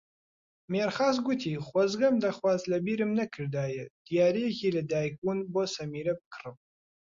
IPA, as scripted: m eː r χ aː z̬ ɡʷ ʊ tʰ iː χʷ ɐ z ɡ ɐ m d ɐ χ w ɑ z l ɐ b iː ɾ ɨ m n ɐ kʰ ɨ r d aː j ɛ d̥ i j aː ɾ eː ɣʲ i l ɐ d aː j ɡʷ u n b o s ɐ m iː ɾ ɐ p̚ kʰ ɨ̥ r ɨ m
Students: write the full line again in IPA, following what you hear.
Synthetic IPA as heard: m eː r χ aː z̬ ɡʷ ʊ tʰ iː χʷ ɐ z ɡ ɐ m d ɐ χ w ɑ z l ɐ b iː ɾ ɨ m n ɐ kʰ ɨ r d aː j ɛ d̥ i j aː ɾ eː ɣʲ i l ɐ d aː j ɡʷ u n b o s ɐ m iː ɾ ɐ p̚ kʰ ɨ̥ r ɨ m